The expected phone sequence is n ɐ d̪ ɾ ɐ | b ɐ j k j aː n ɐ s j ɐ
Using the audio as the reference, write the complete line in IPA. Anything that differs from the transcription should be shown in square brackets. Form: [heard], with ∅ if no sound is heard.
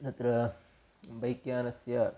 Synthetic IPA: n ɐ [t̪] ɾ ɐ | b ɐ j k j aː n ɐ s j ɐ